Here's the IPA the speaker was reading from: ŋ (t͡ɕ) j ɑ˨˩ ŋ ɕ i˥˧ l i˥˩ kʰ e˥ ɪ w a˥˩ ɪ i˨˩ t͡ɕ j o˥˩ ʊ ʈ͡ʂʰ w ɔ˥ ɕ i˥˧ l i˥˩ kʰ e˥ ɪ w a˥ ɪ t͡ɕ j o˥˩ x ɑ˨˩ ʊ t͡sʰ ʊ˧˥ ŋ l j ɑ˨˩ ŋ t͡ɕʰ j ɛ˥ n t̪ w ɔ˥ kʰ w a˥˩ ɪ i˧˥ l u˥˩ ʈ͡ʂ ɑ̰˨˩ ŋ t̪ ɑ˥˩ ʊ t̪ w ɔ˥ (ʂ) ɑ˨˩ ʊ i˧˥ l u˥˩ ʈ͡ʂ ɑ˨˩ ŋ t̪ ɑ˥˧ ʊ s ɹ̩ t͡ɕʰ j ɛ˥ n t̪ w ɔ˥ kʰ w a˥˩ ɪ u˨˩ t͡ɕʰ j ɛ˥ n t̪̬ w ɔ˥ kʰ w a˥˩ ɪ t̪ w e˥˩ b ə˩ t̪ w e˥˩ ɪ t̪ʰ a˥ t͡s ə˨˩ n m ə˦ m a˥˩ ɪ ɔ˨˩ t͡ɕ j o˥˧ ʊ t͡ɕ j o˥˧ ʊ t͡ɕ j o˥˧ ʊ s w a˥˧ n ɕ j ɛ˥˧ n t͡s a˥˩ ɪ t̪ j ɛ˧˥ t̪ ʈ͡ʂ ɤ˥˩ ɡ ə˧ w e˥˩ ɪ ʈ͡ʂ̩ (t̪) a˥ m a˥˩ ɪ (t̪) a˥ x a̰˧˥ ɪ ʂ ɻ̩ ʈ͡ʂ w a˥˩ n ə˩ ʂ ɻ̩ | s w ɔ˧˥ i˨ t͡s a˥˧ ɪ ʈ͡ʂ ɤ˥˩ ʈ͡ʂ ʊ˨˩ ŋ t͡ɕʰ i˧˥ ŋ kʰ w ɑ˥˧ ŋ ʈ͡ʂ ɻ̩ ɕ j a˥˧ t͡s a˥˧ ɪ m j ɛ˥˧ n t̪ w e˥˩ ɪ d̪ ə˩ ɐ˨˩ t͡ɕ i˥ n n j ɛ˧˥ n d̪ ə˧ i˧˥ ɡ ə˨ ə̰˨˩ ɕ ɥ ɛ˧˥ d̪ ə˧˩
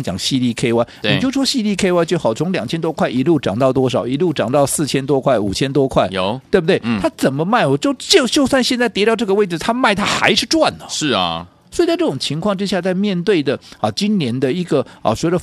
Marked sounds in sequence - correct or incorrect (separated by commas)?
correct, correct, incorrect, incorrect